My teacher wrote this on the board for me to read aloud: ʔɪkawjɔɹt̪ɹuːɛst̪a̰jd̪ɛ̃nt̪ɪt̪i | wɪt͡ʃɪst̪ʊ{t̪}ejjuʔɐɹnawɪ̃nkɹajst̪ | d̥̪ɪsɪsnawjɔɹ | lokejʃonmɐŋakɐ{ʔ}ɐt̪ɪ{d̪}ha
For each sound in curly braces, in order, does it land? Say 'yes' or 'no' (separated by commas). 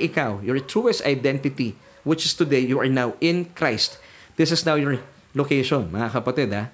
no, no, yes